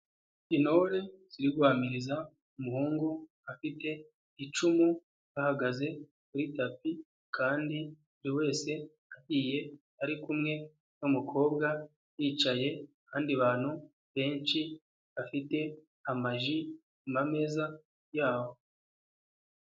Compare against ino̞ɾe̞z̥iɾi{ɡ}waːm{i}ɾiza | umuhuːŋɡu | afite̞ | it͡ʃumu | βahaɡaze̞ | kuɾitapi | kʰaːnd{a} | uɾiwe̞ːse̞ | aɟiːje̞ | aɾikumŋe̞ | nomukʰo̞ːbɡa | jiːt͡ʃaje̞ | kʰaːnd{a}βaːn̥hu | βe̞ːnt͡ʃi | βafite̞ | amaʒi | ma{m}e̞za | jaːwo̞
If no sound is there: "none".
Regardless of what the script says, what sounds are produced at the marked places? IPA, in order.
ɡ, i, i, i, m

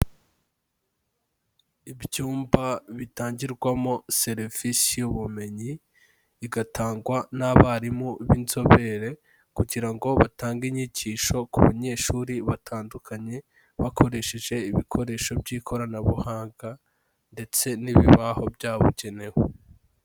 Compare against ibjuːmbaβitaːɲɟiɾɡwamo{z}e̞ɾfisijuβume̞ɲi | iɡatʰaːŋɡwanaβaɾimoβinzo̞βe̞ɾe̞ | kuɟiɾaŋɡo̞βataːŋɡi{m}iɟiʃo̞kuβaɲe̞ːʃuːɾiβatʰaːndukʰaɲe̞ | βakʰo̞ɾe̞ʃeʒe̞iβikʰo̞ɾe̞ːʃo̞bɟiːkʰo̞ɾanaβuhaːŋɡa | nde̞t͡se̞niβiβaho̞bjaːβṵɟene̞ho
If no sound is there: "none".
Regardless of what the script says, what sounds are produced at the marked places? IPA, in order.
s, ɲ

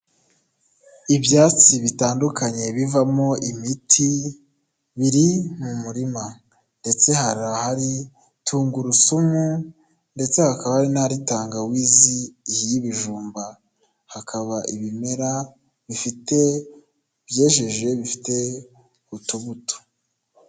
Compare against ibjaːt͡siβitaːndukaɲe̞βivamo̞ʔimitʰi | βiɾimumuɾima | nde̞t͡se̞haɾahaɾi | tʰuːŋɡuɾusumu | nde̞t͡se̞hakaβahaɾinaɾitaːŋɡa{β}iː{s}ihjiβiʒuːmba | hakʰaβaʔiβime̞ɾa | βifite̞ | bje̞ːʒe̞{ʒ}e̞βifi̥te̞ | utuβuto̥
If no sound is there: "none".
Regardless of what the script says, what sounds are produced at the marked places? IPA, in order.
w, z, ʒ

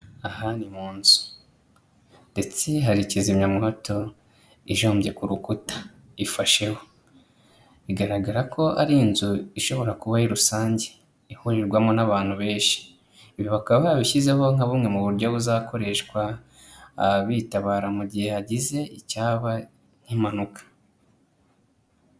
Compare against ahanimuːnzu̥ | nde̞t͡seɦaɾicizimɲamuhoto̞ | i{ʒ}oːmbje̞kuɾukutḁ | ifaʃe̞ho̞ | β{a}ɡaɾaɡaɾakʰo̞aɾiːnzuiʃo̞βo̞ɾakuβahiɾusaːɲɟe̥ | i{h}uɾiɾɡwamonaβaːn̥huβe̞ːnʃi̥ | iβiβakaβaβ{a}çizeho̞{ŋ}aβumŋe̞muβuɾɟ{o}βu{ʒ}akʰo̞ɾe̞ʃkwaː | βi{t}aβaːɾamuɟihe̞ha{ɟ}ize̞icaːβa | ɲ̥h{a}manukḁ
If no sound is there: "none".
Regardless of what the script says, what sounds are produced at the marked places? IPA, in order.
ʒ, i, h, i, ŋ, o, z, t, ɟ, i

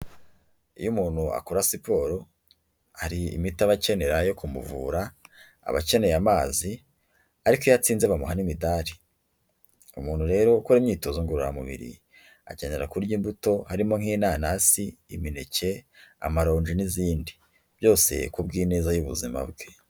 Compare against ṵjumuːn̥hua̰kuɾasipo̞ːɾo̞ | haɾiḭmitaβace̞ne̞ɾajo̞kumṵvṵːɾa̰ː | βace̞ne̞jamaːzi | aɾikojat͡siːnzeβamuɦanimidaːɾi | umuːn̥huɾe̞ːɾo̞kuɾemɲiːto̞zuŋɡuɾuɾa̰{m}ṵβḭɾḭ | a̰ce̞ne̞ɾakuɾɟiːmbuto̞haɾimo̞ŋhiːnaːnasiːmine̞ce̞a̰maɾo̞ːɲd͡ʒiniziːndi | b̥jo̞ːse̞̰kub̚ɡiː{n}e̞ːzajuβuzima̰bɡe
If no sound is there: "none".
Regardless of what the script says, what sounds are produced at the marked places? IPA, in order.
m, n

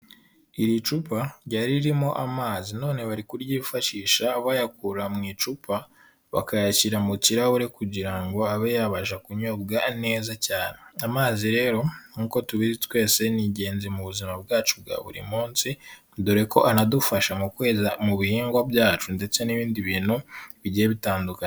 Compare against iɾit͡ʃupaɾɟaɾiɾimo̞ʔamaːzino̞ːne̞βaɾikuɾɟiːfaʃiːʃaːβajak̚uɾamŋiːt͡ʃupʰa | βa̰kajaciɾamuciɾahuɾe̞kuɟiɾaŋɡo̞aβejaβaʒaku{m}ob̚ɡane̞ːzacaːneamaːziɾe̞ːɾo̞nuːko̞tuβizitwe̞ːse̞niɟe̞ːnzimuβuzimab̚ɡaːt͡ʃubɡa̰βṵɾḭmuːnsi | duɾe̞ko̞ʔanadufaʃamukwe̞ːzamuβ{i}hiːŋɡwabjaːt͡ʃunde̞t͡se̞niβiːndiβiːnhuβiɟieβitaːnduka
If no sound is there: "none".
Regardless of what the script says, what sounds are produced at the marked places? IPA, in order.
ɲ, i

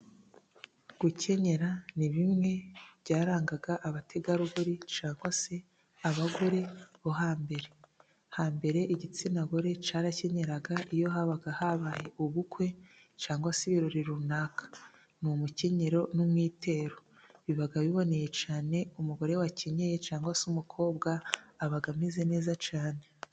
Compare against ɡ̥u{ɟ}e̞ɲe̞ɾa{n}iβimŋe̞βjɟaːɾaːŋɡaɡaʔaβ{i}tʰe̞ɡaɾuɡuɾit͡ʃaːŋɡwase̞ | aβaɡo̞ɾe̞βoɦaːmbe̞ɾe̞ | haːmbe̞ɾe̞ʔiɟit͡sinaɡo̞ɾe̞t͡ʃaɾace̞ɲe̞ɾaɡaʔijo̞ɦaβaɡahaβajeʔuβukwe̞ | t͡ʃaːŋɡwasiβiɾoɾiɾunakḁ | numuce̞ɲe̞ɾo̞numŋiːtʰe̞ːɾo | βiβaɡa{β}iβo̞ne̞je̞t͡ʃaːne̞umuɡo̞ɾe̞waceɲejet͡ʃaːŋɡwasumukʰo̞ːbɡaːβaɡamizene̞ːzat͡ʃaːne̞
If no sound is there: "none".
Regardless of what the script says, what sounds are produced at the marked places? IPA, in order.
c, n, a, β

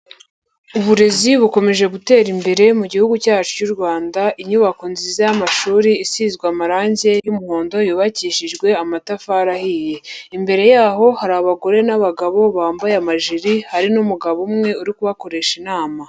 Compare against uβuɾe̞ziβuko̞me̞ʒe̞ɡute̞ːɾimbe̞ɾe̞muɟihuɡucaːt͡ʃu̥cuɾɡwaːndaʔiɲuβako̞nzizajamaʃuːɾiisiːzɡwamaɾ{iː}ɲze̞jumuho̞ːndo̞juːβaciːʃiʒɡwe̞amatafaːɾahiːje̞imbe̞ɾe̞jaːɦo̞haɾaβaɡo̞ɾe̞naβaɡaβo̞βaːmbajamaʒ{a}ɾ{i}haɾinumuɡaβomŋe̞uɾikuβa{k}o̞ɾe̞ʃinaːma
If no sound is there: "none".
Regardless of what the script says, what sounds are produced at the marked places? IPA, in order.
aː, i, i, k

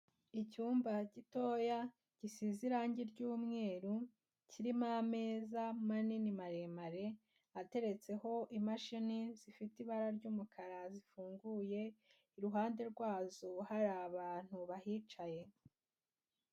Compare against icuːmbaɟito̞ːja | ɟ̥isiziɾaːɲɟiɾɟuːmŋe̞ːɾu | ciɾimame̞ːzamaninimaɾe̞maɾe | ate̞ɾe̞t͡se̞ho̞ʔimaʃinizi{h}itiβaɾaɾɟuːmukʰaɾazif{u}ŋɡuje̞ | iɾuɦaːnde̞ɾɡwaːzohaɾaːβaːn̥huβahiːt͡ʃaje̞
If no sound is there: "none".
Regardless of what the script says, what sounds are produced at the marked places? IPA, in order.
f, uː

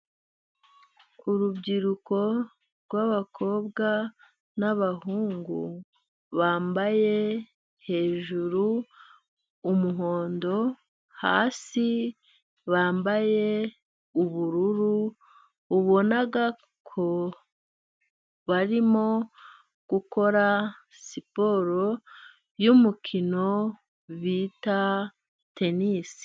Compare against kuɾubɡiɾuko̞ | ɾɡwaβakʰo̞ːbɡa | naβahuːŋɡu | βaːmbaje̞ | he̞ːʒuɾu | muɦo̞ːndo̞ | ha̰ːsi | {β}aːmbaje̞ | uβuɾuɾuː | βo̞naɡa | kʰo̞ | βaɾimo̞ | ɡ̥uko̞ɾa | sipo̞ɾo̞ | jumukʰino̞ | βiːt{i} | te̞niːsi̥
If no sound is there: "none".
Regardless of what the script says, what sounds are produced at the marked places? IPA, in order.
β, a

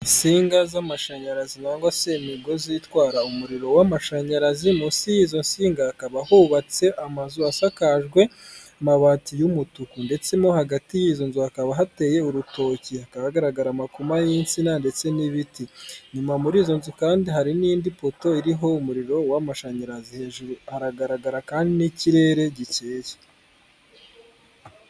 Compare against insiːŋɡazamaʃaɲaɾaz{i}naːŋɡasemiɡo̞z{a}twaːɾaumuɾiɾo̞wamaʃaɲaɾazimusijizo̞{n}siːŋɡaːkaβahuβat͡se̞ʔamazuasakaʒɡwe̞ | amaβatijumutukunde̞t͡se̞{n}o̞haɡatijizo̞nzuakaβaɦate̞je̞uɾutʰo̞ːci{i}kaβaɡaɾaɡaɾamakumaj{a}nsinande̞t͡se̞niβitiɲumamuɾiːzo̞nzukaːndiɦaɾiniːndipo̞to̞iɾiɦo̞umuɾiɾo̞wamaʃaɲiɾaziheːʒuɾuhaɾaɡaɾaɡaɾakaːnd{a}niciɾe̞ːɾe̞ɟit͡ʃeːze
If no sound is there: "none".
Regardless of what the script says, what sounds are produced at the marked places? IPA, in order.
i, i, n, m, a, i, i

